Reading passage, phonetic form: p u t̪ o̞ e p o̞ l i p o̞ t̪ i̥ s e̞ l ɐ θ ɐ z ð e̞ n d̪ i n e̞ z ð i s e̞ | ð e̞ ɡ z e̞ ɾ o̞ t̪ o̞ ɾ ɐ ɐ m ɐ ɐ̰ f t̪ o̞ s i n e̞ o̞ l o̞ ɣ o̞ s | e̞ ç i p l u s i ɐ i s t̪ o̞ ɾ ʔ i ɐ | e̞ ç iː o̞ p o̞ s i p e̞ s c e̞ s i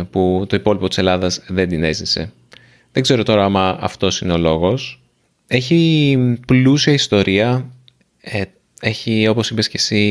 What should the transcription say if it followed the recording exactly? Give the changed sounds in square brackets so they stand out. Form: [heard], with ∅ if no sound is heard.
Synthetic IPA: p u t̪ o̞ [i] p o̞ l i p o̞ t̪ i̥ s e̞ l ɐ [ð] ɐ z ð e̞ n d̪ i n e̞ z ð i s e̞ | ð e̞ ɡ z e̞ ɾ o̞ t̪ o̞ ɾ ɐ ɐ m ɐ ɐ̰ f t̪ o̞ s i n e̞ o̞ l o̞ ɣ o̞ s | e̞ ç i p l u s i ɐ i s t̪ o̞ ɾ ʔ i ɐ | e̞ ç [i] o̞ p o̞ s i p e̞ s c e̞ s i